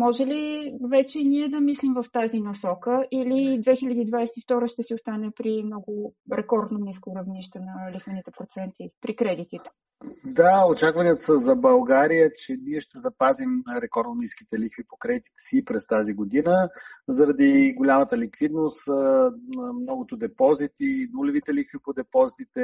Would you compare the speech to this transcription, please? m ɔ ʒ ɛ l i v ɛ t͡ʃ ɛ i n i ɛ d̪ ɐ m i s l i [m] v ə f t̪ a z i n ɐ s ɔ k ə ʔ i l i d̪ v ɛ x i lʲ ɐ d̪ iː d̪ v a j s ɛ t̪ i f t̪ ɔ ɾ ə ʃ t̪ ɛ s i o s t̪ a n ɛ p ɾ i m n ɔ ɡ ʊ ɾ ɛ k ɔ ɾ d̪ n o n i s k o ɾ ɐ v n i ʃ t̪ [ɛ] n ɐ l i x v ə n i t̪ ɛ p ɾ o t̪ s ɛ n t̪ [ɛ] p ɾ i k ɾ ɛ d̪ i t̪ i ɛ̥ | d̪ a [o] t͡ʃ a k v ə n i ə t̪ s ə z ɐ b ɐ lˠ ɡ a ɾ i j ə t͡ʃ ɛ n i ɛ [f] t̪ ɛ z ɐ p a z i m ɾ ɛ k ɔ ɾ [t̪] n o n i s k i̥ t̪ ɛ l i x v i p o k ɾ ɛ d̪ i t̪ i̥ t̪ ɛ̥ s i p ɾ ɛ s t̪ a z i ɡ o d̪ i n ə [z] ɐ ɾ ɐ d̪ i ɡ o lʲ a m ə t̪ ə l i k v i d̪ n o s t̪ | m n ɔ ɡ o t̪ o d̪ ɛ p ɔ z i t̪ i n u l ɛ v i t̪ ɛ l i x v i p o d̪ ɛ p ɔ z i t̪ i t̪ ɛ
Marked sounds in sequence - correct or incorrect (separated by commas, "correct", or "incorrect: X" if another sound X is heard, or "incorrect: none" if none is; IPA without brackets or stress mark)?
correct, correct, incorrect: i, correct, incorrect: ʃ, incorrect: d̪, correct